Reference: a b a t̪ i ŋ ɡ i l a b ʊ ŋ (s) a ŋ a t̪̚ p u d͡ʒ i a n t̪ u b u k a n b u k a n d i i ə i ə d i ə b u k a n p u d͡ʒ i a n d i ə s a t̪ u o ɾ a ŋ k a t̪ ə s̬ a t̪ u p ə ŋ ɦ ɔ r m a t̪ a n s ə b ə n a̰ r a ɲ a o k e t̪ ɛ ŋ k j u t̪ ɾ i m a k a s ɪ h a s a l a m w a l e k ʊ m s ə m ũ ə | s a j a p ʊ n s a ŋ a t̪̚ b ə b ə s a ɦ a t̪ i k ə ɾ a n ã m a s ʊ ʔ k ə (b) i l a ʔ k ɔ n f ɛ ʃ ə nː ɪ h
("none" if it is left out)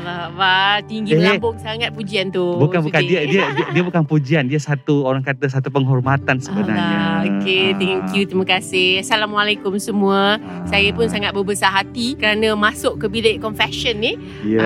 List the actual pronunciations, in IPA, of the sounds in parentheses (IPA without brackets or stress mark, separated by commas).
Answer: s, b